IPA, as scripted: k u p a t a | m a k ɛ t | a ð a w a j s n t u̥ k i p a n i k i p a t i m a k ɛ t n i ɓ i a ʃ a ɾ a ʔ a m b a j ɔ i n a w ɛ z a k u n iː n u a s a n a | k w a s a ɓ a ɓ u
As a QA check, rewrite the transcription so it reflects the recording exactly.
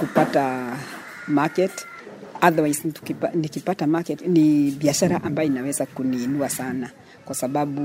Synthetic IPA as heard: k u p a t a | m a k ɛ t | a ð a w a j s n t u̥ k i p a n i k i p a t a m a k ɛ t n i ɓ i a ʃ a ɾ a ʔ a m b a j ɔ i n a w ɛ z a k u n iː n u a s a n a | k w a s a ɓ a ɓ u